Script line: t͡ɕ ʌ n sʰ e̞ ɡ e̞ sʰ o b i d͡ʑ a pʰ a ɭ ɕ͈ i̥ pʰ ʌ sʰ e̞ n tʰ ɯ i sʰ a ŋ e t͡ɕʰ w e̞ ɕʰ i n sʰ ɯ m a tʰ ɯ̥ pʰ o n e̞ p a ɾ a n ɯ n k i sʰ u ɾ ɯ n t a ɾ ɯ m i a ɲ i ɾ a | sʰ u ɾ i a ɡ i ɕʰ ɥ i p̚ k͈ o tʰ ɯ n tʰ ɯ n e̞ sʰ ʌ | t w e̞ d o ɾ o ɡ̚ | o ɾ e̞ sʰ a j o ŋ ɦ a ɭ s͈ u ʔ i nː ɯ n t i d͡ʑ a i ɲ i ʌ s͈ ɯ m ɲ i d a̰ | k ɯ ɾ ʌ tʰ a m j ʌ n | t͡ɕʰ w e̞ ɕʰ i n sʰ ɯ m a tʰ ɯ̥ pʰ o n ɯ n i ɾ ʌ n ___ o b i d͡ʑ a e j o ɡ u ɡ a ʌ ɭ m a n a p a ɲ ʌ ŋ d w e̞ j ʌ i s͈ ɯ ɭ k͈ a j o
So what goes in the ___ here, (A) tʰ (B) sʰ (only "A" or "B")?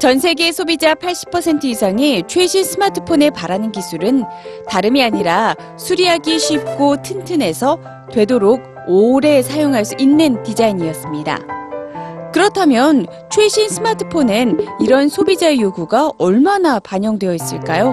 B